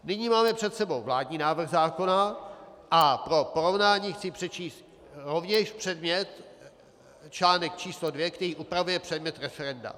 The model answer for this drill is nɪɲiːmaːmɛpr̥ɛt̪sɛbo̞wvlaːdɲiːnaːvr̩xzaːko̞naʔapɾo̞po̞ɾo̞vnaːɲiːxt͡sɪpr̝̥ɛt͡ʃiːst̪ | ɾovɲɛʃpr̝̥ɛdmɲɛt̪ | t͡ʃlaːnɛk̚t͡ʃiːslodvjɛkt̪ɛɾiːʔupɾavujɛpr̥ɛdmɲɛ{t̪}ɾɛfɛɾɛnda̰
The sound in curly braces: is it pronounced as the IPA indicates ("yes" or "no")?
yes